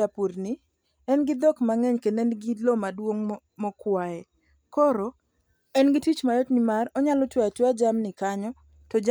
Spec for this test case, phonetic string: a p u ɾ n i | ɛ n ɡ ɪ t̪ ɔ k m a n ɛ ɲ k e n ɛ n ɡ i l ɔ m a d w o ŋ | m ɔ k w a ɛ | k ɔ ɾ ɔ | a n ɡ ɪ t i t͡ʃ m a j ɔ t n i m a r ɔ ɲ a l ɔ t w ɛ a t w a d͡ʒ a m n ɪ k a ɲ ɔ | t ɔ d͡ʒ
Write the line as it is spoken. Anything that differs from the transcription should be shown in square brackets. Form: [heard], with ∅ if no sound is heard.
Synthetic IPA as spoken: a p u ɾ n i | ɛ n ɡ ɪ [d̪] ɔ k m a [ŋ] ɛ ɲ k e n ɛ n ɡ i l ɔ m a d w o ŋ | m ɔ k w a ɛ | k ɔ ɾ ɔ | [ɛ] n ɡ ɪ t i t͡ʃ m a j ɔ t n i m a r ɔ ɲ a l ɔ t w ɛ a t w a d͡ʒ a m n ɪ k a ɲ ɔ | t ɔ d͡ʒ